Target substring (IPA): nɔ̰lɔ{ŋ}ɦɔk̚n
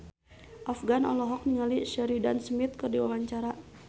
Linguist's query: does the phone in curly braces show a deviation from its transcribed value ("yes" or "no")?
yes